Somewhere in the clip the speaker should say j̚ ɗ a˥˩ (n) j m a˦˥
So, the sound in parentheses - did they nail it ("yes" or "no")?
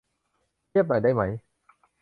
no